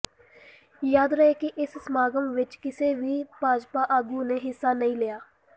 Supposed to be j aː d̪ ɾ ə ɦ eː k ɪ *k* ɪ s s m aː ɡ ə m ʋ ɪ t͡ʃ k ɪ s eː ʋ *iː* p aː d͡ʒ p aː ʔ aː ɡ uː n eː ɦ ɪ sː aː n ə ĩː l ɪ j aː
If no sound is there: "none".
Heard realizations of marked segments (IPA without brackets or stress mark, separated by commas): ʔ, iː